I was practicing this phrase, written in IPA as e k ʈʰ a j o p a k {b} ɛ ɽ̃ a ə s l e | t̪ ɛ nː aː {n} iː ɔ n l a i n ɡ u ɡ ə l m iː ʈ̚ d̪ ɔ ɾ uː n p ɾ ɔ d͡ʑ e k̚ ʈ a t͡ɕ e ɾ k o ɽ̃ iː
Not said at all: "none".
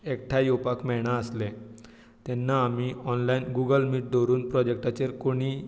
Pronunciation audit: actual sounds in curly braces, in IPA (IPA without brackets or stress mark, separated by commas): m, m